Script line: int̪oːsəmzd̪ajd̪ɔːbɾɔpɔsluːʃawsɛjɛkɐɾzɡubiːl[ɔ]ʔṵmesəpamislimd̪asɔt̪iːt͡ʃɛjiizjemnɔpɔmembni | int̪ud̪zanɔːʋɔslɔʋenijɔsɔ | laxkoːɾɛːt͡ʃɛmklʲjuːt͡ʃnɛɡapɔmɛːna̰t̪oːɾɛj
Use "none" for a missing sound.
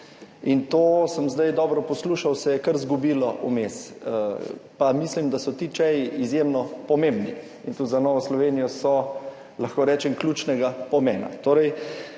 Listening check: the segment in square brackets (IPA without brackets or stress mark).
ɔ